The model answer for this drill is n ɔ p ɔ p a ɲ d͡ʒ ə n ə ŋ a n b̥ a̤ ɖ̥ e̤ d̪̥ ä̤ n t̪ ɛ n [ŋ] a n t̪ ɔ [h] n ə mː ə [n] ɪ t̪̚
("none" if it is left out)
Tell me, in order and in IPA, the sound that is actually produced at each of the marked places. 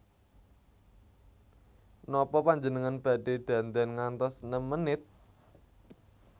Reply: ŋ, s, n

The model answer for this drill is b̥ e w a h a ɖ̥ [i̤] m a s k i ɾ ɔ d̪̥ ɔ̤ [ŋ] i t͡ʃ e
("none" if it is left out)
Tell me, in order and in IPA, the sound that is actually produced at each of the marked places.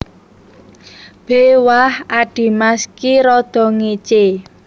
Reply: i̤, ŋ

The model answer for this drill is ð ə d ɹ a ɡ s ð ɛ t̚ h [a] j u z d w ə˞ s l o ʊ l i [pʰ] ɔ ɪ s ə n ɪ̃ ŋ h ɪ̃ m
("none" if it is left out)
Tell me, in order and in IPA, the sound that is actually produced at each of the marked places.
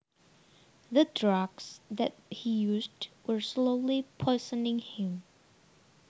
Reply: i, pʰ

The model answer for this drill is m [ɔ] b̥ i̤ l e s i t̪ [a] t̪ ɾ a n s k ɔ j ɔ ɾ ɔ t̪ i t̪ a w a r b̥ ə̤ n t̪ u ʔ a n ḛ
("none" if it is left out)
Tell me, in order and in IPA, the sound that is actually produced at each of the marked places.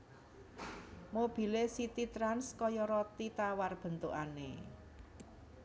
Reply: o, i

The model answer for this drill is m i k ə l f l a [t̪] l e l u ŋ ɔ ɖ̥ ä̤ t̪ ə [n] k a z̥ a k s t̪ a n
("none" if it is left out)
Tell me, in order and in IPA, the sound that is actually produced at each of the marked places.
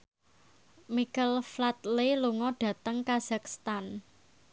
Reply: t̪, ŋ

